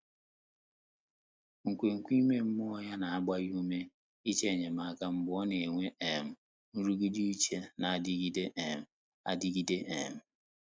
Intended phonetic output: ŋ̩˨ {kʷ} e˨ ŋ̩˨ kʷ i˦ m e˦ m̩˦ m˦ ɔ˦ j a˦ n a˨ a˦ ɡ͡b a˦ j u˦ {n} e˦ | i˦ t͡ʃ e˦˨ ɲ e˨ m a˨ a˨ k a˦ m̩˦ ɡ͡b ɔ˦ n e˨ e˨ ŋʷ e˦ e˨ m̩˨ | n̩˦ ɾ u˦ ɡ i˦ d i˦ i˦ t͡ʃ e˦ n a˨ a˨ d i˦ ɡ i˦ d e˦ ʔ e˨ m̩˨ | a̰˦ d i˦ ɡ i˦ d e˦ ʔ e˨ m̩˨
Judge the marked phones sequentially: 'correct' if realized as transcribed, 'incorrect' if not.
correct, incorrect

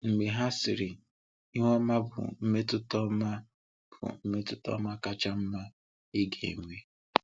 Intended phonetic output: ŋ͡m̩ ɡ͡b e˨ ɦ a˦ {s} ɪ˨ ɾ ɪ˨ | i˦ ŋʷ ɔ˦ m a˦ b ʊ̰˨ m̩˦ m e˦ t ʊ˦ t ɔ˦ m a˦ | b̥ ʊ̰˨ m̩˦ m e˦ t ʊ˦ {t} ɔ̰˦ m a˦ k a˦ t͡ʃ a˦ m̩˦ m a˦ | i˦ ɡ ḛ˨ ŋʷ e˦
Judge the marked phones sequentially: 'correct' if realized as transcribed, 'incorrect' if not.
correct, correct

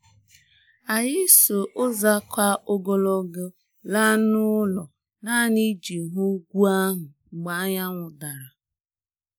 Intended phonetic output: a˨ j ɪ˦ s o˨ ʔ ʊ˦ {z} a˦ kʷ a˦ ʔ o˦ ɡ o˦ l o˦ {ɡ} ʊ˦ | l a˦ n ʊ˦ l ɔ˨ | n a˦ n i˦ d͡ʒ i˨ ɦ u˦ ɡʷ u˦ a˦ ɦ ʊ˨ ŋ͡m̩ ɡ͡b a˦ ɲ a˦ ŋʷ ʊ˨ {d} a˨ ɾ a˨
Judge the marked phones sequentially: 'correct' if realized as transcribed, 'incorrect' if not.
correct, correct, correct

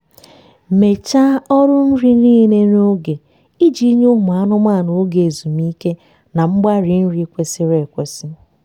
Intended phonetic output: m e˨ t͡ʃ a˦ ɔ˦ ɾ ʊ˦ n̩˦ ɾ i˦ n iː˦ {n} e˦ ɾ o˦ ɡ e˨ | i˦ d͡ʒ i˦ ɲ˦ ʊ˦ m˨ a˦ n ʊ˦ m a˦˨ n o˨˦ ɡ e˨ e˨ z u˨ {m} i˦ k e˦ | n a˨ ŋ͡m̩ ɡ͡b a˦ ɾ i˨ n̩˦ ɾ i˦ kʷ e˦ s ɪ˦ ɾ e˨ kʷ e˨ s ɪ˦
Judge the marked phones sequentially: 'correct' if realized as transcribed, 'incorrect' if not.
correct, correct

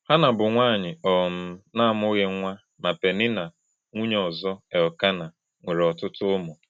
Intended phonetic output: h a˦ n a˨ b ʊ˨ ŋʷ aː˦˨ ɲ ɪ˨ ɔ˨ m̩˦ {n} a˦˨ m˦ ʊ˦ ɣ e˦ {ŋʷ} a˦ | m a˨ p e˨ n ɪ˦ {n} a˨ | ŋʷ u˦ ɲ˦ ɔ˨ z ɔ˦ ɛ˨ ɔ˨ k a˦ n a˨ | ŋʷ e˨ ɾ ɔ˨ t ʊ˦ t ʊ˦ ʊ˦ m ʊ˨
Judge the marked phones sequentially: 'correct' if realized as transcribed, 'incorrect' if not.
correct, correct, correct

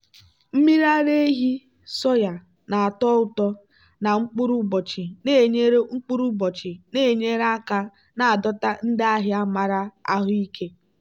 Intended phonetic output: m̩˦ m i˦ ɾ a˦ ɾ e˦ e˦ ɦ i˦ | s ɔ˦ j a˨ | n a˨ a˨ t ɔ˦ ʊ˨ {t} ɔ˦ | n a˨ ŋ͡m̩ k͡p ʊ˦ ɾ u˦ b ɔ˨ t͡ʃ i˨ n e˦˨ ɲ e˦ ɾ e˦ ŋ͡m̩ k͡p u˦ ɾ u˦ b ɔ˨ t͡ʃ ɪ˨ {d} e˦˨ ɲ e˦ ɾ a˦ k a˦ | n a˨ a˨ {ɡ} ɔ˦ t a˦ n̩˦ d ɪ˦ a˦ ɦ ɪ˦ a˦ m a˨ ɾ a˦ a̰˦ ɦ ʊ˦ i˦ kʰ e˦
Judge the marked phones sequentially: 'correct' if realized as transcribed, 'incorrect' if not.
correct, incorrect, incorrect

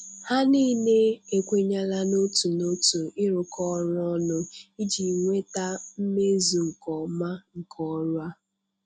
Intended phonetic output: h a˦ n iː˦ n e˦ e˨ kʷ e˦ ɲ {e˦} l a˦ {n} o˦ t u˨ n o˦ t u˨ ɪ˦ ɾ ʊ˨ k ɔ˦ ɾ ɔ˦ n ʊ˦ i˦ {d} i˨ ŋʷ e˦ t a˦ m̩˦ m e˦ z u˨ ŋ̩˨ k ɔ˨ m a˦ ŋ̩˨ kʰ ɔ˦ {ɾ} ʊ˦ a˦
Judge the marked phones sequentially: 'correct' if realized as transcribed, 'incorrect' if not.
incorrect, correct, incorrect, correct

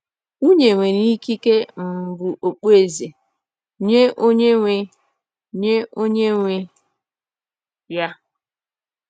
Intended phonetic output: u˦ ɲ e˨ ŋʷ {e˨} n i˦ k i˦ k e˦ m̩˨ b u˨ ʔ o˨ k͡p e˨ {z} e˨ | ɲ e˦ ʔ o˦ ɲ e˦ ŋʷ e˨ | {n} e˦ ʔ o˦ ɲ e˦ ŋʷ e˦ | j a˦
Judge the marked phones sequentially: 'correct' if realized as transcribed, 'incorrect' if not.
correct, correct, incorrect

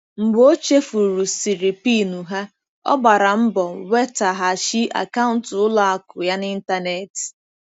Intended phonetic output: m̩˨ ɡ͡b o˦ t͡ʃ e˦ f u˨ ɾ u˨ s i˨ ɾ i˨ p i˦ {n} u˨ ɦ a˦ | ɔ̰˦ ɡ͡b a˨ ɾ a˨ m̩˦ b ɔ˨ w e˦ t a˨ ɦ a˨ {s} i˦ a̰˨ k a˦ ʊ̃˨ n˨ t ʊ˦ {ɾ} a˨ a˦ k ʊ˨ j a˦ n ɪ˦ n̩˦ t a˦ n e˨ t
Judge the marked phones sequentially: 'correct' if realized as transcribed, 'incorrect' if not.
correct, incorrect, incorrect

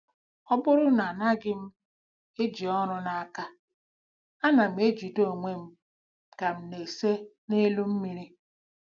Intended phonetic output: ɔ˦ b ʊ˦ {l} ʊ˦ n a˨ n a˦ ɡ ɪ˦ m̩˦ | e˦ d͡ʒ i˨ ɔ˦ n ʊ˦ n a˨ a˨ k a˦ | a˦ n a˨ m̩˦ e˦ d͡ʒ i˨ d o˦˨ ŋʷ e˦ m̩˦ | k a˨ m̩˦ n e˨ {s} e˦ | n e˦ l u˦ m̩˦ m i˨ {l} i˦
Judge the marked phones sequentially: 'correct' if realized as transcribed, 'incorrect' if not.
incorrect, correct, incorrect

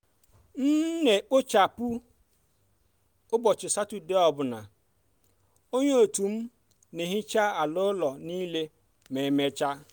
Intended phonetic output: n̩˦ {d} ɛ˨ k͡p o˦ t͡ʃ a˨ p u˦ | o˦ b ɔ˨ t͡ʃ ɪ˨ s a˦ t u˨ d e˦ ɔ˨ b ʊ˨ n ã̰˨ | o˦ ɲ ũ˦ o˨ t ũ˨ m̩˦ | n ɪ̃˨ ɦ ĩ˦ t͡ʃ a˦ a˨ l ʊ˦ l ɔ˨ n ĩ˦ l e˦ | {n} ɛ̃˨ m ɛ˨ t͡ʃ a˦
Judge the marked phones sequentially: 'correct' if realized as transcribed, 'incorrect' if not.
incorrect, incorrect

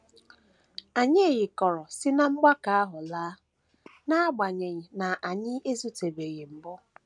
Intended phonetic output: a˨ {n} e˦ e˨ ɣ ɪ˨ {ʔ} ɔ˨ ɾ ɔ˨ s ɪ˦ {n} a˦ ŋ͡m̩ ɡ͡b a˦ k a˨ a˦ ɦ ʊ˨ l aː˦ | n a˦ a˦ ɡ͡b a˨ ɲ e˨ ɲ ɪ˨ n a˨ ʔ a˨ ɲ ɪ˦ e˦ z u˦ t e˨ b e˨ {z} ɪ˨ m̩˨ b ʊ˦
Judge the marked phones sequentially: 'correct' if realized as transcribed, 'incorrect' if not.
incorrect, incorrect, correct, incorrect

